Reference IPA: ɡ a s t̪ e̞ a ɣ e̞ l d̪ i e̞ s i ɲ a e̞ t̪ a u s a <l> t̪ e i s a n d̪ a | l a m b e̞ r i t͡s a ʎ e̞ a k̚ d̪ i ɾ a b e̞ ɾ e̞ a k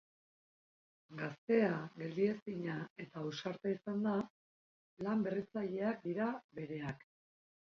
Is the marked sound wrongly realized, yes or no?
yes